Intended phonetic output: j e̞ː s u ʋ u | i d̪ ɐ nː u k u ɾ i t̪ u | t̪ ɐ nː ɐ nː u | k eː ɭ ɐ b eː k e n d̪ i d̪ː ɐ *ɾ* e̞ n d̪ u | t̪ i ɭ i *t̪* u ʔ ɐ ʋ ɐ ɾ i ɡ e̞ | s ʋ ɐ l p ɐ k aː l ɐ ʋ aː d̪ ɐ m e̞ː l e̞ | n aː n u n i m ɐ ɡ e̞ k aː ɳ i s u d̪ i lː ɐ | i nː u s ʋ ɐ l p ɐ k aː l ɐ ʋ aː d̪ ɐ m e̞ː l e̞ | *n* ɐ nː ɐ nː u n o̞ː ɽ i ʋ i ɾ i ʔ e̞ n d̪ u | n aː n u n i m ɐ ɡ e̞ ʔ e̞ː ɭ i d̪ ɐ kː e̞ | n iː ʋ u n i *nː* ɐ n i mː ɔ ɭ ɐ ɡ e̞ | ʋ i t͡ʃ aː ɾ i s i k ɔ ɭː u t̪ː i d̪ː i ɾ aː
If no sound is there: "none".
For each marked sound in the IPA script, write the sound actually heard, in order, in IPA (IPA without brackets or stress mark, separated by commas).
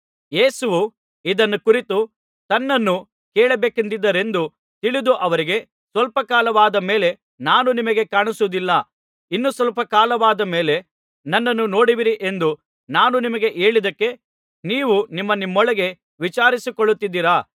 ɾ, d̪, n, mː